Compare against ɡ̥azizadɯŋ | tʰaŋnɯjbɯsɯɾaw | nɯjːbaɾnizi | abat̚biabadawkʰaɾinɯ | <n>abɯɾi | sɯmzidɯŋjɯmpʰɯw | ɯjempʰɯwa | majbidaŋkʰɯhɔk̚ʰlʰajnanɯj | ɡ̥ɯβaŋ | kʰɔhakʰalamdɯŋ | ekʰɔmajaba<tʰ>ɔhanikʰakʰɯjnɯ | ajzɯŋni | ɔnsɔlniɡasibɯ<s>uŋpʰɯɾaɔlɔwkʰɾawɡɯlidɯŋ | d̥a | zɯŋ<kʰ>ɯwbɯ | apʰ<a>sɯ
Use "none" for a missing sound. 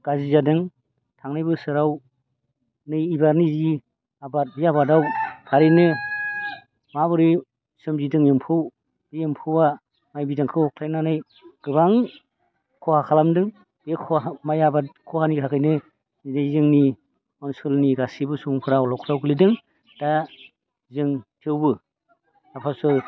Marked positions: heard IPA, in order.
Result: m, kʰ, s, tʰ, a

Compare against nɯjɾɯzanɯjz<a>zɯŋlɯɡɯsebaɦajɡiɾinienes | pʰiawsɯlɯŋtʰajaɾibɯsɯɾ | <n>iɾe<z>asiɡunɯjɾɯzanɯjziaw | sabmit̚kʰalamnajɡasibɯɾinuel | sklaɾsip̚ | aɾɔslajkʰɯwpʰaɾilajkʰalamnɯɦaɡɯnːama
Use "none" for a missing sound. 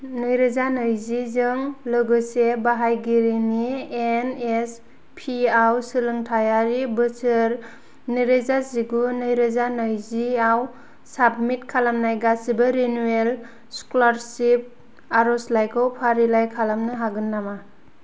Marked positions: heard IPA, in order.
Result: i, n, z

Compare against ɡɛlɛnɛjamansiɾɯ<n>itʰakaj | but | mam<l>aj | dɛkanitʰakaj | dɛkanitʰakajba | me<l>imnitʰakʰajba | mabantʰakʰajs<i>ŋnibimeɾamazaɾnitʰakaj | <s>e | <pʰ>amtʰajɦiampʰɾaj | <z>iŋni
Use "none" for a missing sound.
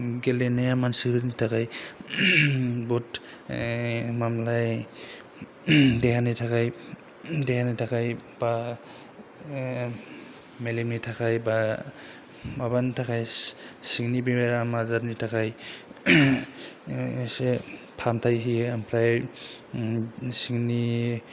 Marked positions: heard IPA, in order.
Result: n, l, l, i, s, pʰ, s

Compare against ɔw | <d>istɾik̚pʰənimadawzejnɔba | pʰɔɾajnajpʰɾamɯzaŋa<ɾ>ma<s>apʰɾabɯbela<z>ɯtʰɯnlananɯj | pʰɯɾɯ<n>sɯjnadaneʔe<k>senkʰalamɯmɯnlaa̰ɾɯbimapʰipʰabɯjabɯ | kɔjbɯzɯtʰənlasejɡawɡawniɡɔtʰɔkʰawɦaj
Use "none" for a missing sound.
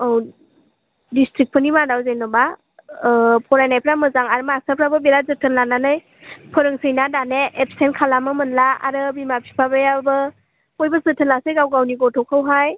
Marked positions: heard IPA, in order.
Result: d, ɾ, s, z, ŋ, p

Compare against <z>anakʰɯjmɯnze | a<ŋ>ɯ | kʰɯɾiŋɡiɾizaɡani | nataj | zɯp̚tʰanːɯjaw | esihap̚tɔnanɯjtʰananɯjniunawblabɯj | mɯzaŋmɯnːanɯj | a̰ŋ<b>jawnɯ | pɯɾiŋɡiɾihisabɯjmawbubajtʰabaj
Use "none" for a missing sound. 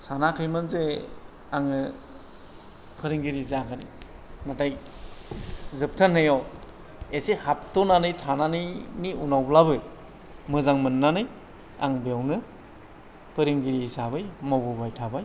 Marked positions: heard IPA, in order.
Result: s, ŋ, b

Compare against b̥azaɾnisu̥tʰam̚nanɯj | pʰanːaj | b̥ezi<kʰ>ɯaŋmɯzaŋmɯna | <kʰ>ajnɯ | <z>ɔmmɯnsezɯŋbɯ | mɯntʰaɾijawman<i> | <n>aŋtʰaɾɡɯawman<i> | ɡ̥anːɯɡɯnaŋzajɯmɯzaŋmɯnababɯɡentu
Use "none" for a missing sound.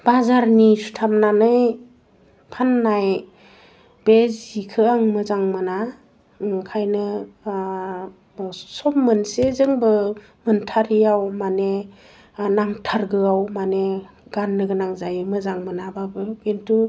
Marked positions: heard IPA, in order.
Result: kʰ, kʰ, s, e, n, e

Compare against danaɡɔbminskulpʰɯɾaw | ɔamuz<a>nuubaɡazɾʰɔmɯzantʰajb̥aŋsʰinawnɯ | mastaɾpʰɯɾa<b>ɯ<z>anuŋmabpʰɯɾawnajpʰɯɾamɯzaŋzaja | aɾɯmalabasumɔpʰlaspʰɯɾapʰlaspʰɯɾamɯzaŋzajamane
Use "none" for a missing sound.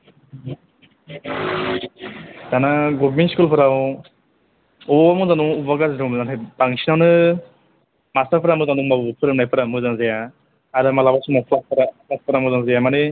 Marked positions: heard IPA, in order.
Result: a, m, z

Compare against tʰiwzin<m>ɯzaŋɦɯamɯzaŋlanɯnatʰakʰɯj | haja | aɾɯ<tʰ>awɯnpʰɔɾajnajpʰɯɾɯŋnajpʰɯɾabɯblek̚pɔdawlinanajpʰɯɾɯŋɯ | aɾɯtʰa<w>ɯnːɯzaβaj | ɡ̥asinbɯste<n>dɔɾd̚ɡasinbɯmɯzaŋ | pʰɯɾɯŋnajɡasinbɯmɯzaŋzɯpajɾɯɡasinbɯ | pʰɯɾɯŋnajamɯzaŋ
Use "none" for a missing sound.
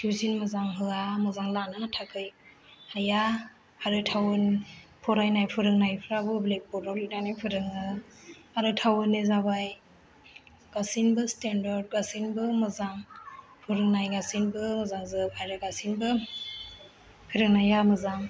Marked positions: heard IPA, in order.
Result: m, tʰ, w, n

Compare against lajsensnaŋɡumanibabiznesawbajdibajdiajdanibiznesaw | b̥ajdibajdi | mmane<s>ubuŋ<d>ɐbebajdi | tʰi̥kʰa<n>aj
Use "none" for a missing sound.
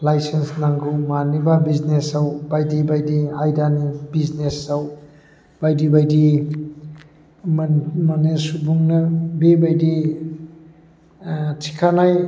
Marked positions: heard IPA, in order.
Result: s, n, n

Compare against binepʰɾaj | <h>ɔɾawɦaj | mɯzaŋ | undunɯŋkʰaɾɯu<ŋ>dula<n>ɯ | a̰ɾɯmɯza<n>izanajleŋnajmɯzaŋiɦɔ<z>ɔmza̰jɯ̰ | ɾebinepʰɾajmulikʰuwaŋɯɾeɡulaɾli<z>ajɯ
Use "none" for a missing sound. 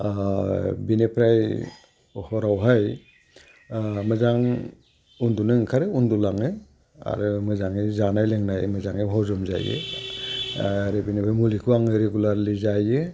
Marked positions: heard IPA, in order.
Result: h, n, ŋ, ŋ, z, z

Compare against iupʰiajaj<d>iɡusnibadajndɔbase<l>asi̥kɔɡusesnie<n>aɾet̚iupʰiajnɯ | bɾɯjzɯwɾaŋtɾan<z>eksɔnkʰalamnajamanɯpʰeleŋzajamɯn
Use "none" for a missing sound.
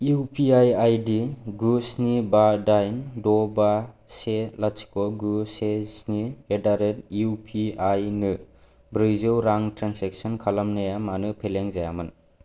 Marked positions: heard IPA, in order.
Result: d, l, d, s

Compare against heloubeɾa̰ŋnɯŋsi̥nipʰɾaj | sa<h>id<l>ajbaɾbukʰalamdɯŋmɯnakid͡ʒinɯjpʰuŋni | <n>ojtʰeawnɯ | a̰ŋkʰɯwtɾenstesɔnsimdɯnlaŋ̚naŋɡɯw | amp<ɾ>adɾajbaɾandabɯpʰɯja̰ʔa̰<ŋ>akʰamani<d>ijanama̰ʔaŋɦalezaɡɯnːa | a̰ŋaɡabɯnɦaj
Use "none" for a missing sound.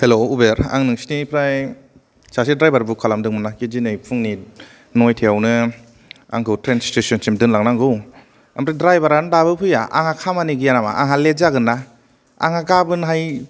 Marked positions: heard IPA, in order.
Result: s, ɾ, n, ɾ, ŋ, ɡ

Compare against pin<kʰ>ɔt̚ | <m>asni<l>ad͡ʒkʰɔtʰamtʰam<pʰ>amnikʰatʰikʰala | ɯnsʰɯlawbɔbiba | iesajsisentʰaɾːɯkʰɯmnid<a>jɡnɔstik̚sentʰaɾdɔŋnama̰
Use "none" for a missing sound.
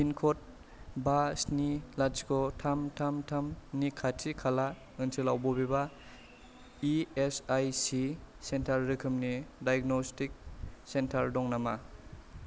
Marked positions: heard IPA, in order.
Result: kʰ, b, l, tʰ, a

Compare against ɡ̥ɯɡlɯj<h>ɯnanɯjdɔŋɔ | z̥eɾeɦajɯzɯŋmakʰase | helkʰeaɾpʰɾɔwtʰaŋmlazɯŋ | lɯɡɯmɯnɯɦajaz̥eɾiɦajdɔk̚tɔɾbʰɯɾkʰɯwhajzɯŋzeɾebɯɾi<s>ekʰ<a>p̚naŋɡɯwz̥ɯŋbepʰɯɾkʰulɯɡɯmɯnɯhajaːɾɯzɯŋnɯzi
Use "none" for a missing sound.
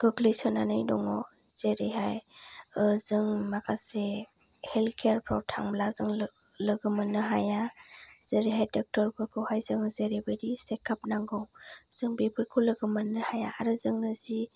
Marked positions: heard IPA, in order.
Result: s, s, a

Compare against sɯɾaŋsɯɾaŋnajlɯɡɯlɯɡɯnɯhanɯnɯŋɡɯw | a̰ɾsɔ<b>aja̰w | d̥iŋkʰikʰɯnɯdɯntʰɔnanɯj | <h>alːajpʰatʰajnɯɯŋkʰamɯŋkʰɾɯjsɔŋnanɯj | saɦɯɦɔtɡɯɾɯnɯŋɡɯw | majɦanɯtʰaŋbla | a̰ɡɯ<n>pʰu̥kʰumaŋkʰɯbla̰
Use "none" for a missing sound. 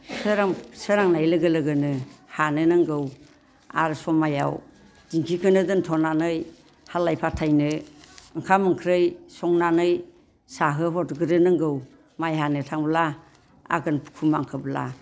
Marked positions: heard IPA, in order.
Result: m, h, n

